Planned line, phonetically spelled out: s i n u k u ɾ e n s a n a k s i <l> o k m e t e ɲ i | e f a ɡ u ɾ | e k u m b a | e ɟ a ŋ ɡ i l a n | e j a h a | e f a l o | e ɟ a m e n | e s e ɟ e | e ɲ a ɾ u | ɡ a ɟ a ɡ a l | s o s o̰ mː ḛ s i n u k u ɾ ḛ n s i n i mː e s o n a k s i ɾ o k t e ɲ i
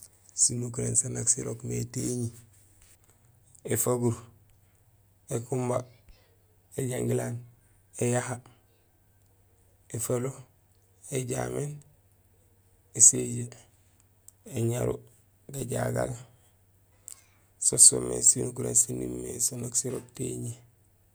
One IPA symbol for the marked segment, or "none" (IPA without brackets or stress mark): ɾ